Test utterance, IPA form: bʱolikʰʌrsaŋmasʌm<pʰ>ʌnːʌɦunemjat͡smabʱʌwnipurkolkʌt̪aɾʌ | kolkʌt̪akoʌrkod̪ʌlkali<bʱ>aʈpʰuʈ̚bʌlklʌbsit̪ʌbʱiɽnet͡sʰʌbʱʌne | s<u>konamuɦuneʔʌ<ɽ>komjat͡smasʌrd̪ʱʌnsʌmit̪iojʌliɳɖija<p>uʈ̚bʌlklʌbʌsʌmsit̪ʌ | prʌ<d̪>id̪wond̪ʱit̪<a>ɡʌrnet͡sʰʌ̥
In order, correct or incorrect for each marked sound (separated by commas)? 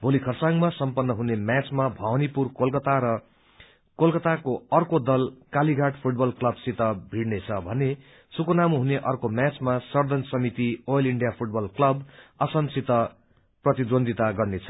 incorrect, incorrect, correct, incorrect, incorrect, incorrect, correct